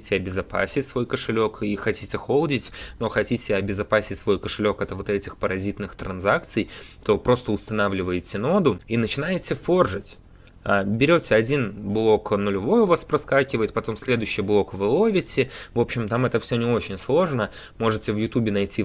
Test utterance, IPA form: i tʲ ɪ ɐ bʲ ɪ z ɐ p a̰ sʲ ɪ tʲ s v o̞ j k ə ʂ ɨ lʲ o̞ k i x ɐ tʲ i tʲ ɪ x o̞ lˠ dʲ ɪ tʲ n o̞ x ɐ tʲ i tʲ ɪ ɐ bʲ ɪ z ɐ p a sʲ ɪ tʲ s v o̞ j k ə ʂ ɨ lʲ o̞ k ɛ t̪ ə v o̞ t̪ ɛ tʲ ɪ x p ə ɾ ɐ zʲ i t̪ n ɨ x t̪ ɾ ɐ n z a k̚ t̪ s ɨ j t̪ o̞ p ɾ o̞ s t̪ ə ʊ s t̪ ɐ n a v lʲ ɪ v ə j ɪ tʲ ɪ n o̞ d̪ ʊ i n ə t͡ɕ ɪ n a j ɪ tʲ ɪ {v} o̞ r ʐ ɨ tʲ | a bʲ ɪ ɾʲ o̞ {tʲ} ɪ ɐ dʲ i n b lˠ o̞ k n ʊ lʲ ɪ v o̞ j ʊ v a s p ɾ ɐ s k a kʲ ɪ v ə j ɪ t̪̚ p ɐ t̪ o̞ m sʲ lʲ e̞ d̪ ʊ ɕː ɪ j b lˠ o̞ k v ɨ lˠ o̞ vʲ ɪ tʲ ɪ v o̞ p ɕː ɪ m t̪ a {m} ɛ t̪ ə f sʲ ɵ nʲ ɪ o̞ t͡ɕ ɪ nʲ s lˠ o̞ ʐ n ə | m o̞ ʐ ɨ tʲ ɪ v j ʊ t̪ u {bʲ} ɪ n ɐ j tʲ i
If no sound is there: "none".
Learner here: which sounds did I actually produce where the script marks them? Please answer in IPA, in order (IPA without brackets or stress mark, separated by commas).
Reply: f, tʲ, m, bʲ